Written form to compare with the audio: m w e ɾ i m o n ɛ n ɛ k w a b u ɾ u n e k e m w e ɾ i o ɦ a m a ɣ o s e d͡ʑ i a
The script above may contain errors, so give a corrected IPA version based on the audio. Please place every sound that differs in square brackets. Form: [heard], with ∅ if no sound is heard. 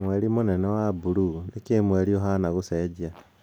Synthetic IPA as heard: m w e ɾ i m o n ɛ n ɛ [∅] w a b u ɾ u n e k e m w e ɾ i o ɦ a [n] a ɣ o s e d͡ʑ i a